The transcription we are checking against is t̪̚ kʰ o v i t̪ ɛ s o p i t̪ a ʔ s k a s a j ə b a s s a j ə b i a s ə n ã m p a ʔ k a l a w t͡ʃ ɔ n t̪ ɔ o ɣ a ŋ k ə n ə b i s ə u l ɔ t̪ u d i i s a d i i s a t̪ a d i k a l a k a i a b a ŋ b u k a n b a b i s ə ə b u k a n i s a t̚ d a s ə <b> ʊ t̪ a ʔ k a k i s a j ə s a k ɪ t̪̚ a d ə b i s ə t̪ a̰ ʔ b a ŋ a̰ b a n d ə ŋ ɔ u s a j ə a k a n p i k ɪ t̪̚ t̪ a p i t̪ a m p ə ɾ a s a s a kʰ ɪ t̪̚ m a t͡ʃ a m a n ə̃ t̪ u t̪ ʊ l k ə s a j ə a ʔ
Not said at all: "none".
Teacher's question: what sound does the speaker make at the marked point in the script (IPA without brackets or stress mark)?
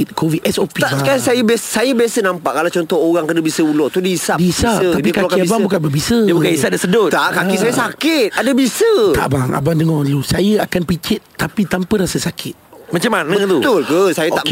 d